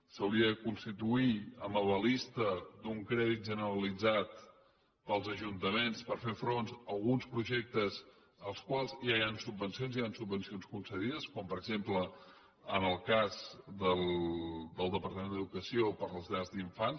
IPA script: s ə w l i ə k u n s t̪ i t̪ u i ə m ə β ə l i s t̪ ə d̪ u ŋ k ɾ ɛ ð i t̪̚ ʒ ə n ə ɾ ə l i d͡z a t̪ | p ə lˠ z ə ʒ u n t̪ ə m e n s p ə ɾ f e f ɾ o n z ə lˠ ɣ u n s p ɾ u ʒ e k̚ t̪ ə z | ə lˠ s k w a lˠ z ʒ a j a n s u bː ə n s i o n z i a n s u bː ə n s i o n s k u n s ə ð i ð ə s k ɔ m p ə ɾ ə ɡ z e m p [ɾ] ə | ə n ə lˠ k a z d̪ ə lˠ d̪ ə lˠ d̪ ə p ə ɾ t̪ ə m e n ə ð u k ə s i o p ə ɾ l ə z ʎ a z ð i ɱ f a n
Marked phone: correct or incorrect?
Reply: incorrect: l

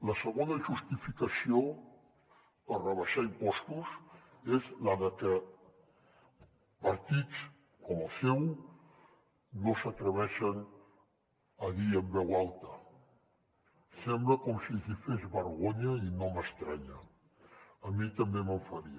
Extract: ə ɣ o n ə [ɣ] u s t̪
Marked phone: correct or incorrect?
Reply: incorrect: ʒ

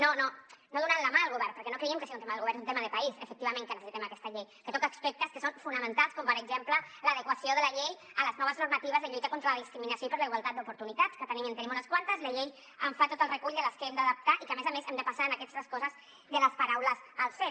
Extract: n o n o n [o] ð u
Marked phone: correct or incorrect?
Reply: correct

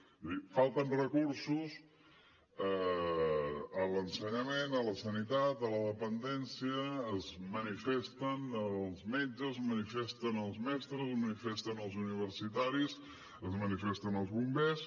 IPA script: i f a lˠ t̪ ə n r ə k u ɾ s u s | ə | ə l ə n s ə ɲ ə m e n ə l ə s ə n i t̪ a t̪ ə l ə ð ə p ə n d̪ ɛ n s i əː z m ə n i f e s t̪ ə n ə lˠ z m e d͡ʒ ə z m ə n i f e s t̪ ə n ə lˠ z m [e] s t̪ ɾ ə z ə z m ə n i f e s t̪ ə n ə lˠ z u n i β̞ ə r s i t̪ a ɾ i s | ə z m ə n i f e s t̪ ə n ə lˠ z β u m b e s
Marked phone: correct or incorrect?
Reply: incorrect: ɛ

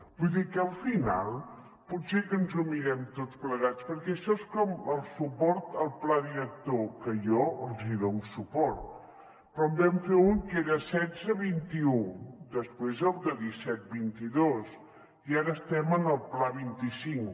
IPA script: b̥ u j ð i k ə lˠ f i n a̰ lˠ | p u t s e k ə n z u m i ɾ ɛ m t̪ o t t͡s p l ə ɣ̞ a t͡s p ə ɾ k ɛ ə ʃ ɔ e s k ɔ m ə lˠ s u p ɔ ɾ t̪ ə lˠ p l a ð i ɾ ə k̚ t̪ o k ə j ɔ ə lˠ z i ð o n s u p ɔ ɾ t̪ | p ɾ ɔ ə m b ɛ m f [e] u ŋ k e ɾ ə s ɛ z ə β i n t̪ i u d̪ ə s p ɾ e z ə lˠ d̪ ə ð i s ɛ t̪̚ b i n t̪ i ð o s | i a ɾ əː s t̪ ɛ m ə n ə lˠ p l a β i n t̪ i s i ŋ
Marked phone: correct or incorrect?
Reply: correct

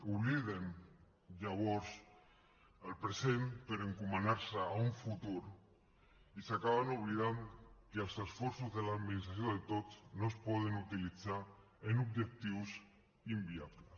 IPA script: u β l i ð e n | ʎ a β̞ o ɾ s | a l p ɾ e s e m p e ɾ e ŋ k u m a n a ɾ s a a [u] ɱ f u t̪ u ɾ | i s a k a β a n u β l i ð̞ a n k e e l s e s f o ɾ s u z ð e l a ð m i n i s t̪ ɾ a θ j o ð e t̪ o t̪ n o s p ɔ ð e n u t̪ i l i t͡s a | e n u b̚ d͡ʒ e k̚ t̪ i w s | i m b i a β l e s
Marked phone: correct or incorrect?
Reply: correct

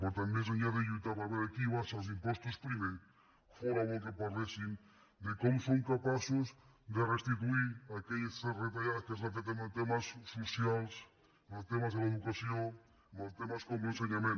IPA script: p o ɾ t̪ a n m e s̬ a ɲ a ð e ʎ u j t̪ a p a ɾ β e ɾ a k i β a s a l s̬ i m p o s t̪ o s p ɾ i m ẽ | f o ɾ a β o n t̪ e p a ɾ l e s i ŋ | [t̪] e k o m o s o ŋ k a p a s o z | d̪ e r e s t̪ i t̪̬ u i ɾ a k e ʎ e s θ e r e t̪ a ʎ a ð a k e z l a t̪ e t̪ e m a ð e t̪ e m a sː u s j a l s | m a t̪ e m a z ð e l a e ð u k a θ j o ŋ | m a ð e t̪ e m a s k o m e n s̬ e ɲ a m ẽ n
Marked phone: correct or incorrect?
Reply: incorrect: d̪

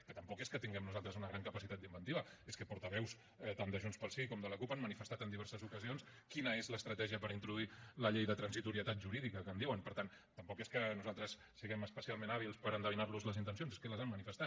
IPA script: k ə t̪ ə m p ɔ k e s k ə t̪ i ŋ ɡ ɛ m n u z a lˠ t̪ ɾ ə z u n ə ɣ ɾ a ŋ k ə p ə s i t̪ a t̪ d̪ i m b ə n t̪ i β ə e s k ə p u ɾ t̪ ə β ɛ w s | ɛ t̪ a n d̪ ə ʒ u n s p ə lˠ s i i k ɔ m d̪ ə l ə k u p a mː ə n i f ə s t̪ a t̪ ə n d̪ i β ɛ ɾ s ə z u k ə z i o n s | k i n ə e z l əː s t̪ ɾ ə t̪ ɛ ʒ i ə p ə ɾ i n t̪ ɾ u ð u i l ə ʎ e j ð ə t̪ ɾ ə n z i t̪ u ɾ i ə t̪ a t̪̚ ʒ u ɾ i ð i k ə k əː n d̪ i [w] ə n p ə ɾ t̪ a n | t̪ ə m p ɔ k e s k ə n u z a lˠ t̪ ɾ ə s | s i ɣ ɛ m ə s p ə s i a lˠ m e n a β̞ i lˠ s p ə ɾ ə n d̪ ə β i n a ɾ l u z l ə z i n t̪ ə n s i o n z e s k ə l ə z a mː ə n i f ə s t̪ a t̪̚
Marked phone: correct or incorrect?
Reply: correct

